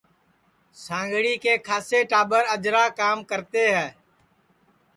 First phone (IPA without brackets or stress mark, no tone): s